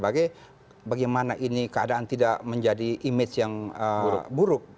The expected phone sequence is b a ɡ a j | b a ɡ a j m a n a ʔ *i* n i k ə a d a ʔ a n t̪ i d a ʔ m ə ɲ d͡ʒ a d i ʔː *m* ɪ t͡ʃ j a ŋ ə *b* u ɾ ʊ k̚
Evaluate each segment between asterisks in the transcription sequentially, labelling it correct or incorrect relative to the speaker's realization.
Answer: correct, correct, correct

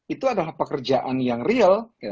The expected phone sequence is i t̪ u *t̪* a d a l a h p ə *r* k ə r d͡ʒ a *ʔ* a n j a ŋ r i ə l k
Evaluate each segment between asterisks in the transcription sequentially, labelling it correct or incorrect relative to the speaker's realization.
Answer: incorrect, incorrect, correct

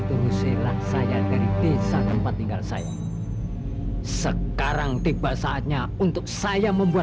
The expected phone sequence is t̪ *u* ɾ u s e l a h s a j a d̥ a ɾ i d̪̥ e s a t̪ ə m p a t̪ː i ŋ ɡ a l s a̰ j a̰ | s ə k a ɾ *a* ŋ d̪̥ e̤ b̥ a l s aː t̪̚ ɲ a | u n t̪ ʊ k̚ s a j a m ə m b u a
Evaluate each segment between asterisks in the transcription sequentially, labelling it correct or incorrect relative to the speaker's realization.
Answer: correct, correct

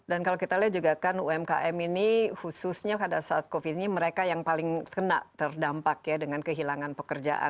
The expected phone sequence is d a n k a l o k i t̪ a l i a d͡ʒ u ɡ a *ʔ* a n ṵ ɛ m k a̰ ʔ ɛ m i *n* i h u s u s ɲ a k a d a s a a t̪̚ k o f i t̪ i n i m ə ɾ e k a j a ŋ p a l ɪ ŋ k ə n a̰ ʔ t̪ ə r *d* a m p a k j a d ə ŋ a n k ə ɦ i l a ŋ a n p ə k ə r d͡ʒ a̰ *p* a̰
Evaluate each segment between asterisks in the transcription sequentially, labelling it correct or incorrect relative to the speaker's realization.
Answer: incorrect, correct, correct, incorrect

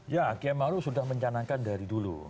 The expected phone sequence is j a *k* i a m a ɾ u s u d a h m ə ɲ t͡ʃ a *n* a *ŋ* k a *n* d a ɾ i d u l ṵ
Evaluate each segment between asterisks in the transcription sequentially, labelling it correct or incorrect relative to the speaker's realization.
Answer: correct, correct, correct, correct

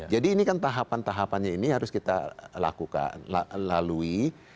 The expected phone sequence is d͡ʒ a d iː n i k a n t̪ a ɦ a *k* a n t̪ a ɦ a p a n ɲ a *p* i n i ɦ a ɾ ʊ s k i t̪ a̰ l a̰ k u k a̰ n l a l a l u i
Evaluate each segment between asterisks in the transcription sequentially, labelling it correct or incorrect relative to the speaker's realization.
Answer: incorrect, incorrect

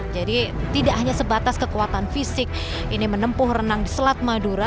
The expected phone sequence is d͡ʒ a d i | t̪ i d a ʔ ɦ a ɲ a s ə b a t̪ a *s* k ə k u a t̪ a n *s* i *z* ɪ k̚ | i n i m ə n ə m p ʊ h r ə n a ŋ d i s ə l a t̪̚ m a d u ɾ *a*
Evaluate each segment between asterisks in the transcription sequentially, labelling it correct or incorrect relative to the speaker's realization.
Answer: correct, incorrect, incorrect, correct

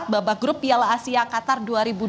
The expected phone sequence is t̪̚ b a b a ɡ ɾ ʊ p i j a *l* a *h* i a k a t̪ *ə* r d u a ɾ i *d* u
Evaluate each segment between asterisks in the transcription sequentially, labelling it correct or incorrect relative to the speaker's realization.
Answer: correct, incorrect, incorrect, incorrect

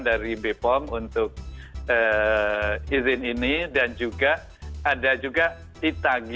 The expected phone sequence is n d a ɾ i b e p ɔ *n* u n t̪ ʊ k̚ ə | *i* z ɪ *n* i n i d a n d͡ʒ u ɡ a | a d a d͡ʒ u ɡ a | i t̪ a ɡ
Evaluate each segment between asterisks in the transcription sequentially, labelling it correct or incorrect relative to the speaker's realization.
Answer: incorrect, correct, correct

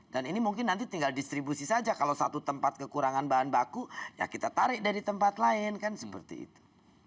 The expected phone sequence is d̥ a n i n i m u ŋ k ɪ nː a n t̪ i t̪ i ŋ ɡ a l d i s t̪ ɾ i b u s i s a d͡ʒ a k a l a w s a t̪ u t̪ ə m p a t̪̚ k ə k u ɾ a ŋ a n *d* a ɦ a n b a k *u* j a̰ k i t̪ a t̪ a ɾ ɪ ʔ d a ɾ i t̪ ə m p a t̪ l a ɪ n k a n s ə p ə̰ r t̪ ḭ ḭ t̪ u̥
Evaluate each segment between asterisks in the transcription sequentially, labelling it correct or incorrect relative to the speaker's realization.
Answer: incorrect, correct

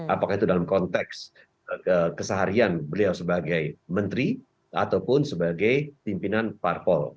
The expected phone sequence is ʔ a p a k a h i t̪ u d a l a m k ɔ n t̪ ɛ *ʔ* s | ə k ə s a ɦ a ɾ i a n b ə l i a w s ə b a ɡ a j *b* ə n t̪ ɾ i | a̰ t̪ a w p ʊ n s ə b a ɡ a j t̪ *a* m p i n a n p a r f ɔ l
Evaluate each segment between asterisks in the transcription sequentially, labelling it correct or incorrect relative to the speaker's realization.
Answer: incorrect, incorrect, incorrect

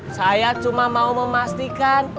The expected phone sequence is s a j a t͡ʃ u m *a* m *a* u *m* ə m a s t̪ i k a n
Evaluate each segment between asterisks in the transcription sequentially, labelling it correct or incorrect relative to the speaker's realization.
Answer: correct, correct, correct

